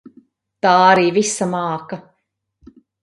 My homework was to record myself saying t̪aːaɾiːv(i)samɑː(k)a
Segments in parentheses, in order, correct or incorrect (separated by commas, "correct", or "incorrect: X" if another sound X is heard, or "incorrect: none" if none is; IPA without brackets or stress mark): correct, correct